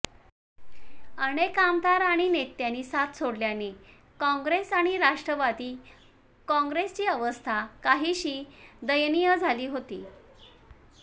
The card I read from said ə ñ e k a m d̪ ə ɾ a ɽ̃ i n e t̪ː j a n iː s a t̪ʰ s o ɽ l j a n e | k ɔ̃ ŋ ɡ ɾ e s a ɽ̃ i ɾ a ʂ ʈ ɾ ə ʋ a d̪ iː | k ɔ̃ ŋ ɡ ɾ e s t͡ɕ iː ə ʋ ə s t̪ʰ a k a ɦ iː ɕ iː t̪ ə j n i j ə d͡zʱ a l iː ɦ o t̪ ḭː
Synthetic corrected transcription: ə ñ e k a m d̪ a ɾ a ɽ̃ i n e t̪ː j a n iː s a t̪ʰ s o ɽ l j a n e | k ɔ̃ ŋ ɡ ɾ e s a ɽ̃ i ɾ a ʂ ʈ ɾ ə ʋ a d̪ iː | k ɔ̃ ŋ ɡ ɾ e s t͡ɕ iː ə ʋ ə s t̪ʰ a k a ɦ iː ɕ iː d̪ ə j n i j ə d͡zʱ a l iː ɦ o t̪ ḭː

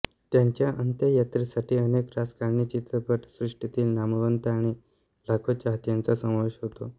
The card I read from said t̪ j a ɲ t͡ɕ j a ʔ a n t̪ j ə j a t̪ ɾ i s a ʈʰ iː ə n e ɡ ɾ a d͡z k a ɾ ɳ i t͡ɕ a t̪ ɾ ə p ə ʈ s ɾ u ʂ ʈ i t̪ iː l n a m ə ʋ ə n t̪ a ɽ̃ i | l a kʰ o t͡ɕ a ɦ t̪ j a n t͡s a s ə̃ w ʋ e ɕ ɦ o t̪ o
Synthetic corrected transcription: t̪ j a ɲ t͡ɕ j a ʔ ə n t̪ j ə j a t̪ ɾ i s a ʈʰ iː ə n e k ɾ a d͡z k a ɾ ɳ i t͡ɕ i t̪ ɾ ə p ə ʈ s ɾ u ʂ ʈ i t̪ iː l n a m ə ʋ ə n t̪ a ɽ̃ i | l a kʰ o t͡ɕ a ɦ t̪ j a n t͡s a s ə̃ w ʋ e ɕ ɦ o t̪ o

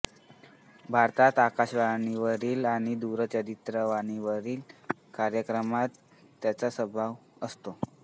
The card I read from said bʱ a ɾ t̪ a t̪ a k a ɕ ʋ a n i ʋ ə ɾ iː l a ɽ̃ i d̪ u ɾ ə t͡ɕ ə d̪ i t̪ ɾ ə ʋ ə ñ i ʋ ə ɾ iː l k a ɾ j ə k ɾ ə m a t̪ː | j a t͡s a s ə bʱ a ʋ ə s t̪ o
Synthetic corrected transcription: bʱ a ɾ t̪ a t̪ a k a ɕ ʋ a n i ʋ ə ɾ iː l a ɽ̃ i d̪ u ɾ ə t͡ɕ ə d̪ i t̪ ɾ ə ʋ a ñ i ʋ ə ɾ iː l k a ɾ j ə k ɾ ə m a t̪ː | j a t͡s a s ə bʱ a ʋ ə s t̪ o

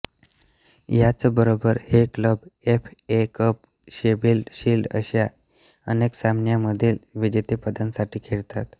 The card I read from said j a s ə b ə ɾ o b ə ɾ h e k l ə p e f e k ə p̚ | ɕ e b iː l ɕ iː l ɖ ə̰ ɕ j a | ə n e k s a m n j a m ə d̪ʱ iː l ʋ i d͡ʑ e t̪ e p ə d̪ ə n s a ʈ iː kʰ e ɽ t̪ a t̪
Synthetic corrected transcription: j a t͡s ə b ə ɾ o b ə ɾ h e k l ə b e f e k ə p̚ | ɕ e b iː l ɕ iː l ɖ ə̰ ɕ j a | ə n e k s a m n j a m ə d̪ʱ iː l ʋ i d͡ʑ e t̪ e p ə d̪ ə n s a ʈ iː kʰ e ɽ t̪ a t̪

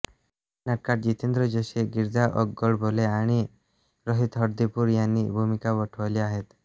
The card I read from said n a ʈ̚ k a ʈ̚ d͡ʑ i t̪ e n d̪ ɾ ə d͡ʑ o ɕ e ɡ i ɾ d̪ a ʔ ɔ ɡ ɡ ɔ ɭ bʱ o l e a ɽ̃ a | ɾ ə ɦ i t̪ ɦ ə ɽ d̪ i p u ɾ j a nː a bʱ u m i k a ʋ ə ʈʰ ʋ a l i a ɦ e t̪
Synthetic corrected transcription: n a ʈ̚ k a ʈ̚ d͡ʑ i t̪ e n d̪ ɾ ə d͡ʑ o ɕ e ɡ i ɾ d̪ a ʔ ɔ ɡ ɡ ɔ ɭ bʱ o l e a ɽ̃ i | ɾ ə ɦ i t̪ ɦ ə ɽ d̪ i p u ɾ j a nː i bʱ u m i k a ʋ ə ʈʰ ʋ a l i a ɦ e t̪

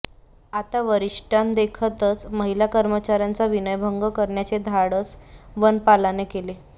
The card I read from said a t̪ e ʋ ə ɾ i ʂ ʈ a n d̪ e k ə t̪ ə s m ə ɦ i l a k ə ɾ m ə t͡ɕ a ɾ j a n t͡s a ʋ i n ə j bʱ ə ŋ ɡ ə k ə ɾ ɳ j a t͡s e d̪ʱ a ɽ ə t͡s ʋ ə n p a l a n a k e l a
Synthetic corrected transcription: a t̪ a ʋ ə ɾ i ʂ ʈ a n d̪ e kʰ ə t̪ ə t͡s m ə ɦ i l a k ə ɾ m ə t͡ɕ a ɾ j a n t͡s a ʋ i n ə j bʱ ə ŋ ɡ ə k ə ɾ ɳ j a t͡s e d̪ʱ a ɽ ə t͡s ʋ ə n p a l a n e k e l e

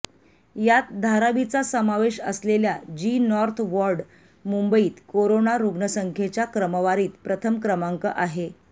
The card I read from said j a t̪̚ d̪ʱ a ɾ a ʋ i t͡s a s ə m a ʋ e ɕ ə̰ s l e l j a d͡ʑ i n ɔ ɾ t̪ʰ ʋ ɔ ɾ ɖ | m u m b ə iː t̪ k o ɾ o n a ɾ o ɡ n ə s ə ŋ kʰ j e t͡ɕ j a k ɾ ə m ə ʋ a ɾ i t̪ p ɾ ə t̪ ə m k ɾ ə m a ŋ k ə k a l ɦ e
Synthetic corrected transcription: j a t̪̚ d̪ʱ a ɾ a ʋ i t͡s a s ə m a ʋ e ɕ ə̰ s l e l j a d͡ʑ i n ɔ ɾ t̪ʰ ʋ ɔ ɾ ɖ | m u m b ə iː t̪ k o ɾ o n a ɾ u ɡ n ə s ə ŋ kʰ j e t͡ɕ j a k ɾ ə m ə ʋ a ɾ iː t̪ p ɾ ə t̪ʰ ə m k ɾ ə m a ŋ k ə ʔ a ɦ e

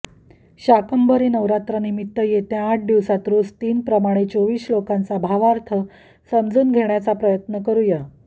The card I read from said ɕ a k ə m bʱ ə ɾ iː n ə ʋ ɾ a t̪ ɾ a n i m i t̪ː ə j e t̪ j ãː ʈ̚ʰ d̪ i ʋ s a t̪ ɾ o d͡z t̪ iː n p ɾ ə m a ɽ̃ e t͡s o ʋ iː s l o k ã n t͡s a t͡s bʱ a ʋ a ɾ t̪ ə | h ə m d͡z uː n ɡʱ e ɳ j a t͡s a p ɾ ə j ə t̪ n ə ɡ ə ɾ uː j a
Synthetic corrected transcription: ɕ a k ə m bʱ ə ɾ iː n ə ʋ ɾ a t̪ ɾ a n i m i t̪ː ə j e t̪ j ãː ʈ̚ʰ d̪ i ʋ s a t̪ ɾ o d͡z t̪ iː n p ɾ ə m a ɽ̃ e t͡s o ʋ iː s l o k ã n t͡s a bʱ a ʋ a ɾ t̪ʰ ə | s ə m d͡z uː n ɡʱ e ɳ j a t͡s a p ɾ ə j ə t̪ n ə k ə ɾ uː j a

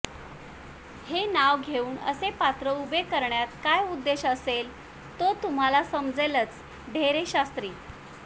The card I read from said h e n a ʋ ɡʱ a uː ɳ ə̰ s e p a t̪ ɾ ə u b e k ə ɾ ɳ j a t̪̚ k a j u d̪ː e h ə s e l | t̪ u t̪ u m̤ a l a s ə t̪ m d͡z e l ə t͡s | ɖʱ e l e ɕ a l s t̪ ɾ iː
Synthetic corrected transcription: h e n a ʋ ɡʱ e uː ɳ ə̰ s e p a t̪ ɾ ə u b e k ə ɾ ɳ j a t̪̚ k a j u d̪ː e ɕ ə s e l | t̪ o t̪ u m̤ a l a s ə m d͡z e l ə t͡s | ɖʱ e ɾ e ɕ a s t̪ ɾ iː

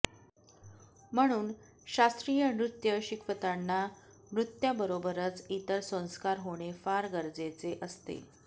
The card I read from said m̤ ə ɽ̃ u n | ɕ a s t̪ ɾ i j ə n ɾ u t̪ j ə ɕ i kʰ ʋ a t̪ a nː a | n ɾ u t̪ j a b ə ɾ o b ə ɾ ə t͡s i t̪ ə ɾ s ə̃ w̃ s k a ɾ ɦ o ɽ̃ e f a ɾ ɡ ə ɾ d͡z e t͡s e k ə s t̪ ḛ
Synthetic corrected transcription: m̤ ə ɽ̃ uː n | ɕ a s t̪ ɾ i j ə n ɾ u t̪ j ə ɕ i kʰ ʋ ə t̪ a nː a | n ɾ u t̪ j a b ə ɾ o b ə ɾ ə t͡s i t̪ ə ɾ s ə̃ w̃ s k a ɾ ɦ o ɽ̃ e f a ɾ ɡ ə ɾ d͡z e t͡s e ʔ ə s t̪ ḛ

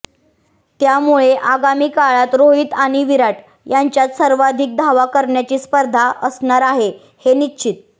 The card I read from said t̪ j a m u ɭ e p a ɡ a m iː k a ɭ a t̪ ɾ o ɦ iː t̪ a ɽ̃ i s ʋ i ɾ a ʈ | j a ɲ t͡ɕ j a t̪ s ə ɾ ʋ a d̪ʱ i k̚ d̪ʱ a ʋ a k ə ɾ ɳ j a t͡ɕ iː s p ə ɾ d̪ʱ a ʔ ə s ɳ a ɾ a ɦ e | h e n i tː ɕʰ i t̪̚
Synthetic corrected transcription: t̪ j a m u ɭ e ʔ a ɡ a m iː k a ɭ a t̪ ɾ o ɦ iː t̪ a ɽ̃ i ʋ i ɾ a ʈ | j a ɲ t͡ɕ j a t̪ s ə ɾ ʋ a d̪ʱ i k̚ d̪ʱ a ʋ a k ə ɾ ɳ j a t͡ɕ iː s p ə ɾ d̪ʱ a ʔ ə s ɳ a ɾ a ɦ e | h e n i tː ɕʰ i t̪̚

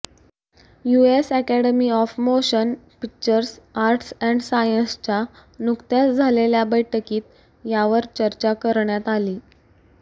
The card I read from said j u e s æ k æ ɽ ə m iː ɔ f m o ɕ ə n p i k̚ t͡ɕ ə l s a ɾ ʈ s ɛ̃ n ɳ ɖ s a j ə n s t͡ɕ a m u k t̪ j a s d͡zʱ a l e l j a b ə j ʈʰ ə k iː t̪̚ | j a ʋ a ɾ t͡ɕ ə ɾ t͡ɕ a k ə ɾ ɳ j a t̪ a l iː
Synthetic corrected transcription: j u e s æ k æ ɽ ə m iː ɔ f m o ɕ ə n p i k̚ t͡ɕ ə ɾ s a ɾ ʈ s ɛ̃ ɳ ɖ s a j ə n s t͡ɕ a n u k t̪ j a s d͡zʱ a l e l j a b ə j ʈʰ ə k iː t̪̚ | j a ʋ ə ɾ t͡ɕ ə ɾ t͡ɕ a k ə ɾ ɳ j a t̪ a l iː

